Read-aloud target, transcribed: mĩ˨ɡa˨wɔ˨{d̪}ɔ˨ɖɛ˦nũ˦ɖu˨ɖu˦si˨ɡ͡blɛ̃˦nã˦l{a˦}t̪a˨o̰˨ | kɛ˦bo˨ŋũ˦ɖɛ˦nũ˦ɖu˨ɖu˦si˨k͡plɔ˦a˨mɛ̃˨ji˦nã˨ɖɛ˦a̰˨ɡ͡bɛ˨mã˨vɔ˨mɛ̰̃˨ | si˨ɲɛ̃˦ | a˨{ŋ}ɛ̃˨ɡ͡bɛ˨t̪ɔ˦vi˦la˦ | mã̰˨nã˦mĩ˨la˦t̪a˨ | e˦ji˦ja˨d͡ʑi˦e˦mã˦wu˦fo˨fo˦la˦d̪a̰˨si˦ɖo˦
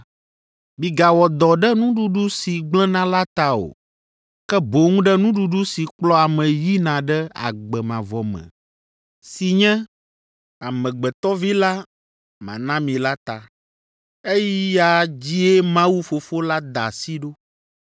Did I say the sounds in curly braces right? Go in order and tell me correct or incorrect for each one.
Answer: correct, correct, incorrect: m

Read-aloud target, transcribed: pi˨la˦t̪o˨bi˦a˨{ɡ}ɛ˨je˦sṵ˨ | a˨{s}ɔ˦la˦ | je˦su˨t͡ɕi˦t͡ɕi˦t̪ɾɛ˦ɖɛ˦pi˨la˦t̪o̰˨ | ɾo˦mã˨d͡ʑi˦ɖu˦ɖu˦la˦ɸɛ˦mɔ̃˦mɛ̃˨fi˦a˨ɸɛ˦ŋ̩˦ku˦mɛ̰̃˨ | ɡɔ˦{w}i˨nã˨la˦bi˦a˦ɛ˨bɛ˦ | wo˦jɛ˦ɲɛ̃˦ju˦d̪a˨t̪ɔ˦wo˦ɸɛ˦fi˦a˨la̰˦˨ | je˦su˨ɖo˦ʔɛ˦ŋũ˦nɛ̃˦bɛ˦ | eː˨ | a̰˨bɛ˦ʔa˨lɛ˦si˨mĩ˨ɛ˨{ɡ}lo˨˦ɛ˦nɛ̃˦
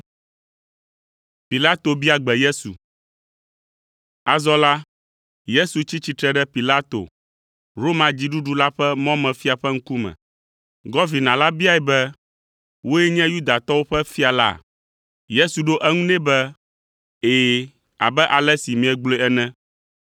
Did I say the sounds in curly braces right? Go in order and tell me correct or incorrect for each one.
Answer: incorrect: ɡ͡b, incorrect: z, incorrect: v, incorrect: ɡ͡b

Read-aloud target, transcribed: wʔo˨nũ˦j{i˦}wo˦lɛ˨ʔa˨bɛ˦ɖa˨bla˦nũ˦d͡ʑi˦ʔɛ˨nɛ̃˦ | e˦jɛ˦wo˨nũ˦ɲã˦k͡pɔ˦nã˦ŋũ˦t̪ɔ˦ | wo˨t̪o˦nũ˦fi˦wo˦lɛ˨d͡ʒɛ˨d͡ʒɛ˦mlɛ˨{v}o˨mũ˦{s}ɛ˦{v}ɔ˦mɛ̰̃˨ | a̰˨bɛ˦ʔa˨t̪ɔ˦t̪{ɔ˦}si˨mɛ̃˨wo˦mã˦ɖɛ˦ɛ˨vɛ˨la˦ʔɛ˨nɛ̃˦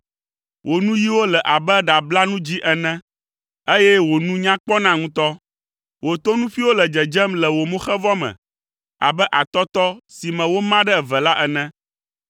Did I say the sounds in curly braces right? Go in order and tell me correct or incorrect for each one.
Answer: correct, incorrect: w, incorrect: x, correct, correct

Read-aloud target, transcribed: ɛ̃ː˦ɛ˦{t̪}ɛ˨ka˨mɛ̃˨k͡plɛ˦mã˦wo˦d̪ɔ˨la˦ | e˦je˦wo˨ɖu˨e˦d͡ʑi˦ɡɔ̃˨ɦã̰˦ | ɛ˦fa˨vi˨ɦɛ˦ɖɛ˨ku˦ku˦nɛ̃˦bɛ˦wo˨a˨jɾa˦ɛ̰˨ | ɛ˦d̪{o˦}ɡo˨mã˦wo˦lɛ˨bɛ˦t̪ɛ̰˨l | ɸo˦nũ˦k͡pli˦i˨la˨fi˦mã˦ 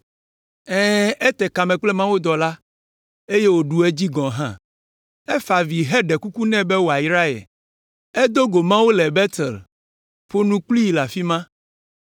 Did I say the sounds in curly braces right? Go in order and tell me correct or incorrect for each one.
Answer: correct, correct

